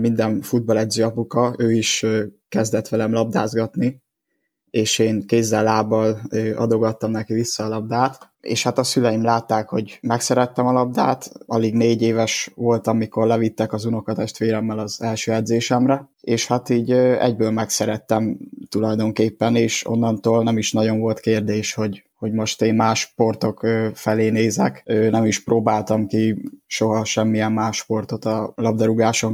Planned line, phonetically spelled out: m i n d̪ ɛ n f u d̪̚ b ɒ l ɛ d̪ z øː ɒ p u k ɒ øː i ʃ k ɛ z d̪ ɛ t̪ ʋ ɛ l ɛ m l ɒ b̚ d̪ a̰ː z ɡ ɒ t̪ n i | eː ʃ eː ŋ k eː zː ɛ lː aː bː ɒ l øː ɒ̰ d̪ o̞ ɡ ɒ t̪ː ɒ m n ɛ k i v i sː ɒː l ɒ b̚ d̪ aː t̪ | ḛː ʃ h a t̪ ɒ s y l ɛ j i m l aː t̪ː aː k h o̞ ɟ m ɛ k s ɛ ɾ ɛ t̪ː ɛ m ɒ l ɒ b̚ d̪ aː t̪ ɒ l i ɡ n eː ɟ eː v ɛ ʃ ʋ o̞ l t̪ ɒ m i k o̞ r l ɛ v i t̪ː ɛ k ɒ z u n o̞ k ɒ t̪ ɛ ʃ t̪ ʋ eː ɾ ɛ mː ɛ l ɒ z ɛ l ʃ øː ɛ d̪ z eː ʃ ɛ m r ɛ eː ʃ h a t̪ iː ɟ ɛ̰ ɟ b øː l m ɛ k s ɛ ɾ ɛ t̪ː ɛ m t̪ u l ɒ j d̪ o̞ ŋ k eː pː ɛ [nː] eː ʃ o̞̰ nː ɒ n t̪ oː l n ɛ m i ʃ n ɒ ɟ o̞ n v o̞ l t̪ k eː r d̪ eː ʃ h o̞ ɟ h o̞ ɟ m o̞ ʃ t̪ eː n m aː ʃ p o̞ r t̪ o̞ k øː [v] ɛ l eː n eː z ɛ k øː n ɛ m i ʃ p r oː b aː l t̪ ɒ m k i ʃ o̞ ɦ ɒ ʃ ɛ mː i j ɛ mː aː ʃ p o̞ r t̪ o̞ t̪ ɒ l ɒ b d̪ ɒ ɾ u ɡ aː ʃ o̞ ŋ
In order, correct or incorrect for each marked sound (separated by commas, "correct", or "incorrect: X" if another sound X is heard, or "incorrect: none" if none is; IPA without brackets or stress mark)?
incorrect: n, incorrect: f